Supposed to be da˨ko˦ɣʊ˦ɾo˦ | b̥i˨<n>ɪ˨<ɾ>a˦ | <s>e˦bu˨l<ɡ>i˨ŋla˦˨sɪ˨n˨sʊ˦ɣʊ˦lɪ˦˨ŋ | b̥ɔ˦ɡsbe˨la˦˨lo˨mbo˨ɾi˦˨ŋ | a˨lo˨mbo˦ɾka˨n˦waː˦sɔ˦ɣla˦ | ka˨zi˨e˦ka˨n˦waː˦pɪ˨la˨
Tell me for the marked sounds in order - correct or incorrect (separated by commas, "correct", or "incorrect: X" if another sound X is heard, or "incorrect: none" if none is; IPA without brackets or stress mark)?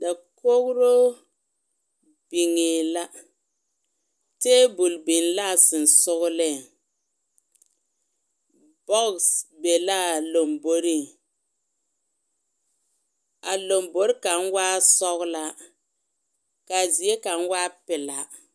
incorrect: ŋ, incorrect: l, incorrect: t, incorrect: b